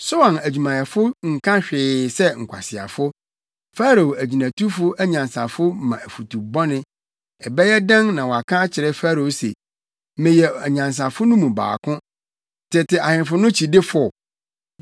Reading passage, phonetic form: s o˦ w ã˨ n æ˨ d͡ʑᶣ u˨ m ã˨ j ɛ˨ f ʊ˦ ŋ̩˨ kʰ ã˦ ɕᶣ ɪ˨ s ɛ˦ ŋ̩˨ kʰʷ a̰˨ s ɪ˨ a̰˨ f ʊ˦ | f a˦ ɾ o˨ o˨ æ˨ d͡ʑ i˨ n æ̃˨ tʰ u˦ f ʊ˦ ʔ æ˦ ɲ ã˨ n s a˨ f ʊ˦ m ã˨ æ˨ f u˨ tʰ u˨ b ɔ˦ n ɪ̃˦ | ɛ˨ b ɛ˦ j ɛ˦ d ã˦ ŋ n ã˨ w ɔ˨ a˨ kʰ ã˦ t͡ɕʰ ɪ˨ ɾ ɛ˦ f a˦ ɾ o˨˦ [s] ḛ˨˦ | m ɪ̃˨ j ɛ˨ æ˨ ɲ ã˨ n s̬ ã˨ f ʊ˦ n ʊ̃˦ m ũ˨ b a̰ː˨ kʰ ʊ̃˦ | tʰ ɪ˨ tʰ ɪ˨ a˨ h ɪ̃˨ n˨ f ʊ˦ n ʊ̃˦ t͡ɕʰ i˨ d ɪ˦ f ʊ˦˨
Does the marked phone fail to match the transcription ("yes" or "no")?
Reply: no